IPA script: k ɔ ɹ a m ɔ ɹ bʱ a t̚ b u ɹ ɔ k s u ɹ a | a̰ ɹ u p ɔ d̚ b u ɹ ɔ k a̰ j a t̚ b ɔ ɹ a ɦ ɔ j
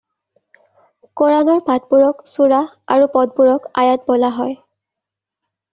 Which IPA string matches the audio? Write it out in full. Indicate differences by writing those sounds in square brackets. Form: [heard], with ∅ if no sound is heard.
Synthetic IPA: k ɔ ɹ a [n] ɔ ɹ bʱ a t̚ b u ɹ ɔ k s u ɹ a | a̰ ɹ u p ɔ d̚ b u ɹ ɔ k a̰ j a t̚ b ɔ [l] a ɦ ɔ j